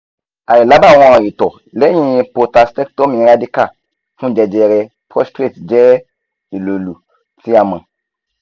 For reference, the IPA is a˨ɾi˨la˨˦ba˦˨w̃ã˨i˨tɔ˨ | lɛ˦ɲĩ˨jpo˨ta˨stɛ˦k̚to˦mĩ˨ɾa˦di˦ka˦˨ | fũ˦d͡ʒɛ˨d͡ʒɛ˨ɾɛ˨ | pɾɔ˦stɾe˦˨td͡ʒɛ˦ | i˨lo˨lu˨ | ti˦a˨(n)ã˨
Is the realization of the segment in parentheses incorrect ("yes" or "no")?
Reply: yes